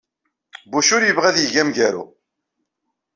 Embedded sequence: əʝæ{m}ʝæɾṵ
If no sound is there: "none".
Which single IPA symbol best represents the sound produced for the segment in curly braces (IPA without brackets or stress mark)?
m